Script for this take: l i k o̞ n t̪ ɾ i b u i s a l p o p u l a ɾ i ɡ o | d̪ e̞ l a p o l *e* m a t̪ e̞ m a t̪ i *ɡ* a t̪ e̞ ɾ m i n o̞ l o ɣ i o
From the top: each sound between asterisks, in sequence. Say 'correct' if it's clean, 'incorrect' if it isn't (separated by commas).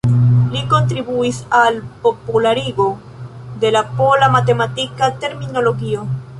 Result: incorrect, incorrect